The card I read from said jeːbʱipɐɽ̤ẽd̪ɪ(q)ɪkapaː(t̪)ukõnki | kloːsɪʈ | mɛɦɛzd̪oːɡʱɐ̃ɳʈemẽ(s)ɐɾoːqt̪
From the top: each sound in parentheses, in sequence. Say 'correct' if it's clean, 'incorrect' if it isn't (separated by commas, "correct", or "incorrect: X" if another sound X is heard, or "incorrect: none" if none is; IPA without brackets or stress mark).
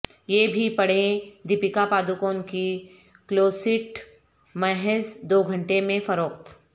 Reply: incorrect: p, incorrect: d̪, incorrect: f